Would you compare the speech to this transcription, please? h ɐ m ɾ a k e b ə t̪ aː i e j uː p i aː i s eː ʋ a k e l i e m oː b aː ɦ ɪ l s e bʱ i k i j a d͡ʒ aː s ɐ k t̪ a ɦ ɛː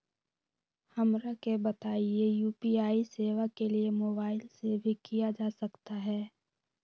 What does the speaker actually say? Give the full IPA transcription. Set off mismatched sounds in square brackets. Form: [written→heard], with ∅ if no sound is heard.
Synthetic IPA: h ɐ m ɾ a k e b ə t̪ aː i e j uː p i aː i s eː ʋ a k e l i e m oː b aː [ɦ→∅] ɪ l s e bʱ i k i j a d͡ʒ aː s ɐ k t̪ a ɦ ɛː